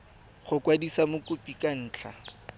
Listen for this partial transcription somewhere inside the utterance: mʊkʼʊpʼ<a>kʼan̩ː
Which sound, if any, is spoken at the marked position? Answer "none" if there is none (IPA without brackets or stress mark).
i